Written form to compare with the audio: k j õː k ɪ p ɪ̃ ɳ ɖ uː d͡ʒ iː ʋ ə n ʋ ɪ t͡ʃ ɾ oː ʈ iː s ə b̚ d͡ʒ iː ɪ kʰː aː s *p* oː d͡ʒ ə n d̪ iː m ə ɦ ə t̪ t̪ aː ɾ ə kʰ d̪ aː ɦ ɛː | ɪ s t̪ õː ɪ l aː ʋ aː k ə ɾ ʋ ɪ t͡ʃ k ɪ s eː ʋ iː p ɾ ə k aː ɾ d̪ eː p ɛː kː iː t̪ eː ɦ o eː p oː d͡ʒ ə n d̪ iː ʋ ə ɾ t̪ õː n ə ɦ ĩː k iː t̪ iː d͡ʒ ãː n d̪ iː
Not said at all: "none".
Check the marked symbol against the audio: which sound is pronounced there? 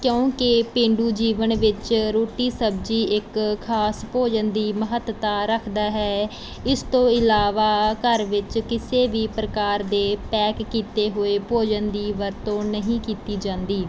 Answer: p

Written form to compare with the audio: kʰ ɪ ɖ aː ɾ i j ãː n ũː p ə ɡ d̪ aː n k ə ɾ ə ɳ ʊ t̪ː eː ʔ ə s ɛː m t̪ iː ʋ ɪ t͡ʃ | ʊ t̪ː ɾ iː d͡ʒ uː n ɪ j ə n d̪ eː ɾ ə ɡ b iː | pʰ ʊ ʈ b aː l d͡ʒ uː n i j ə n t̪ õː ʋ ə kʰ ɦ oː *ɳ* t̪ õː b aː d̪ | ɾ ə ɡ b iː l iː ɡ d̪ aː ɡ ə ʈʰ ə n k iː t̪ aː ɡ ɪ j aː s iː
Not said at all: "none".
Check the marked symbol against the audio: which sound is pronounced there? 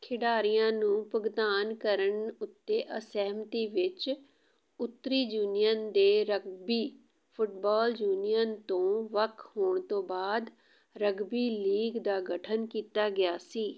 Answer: ɳ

